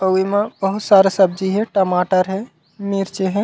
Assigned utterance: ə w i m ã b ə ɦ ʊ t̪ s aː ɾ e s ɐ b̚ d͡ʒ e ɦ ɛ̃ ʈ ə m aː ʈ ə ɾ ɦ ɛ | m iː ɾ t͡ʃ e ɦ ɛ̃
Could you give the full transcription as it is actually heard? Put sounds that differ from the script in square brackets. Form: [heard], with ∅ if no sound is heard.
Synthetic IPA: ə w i m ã b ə ɦ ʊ t̪ s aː ɾ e s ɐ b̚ d͡ʒ [i] ɦ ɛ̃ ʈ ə m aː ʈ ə ɾ ɦ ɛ | m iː ɾ t͡ʃ e ɦ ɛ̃